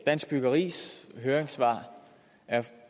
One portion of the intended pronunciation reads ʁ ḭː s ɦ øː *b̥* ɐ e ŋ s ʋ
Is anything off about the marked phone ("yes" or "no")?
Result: yes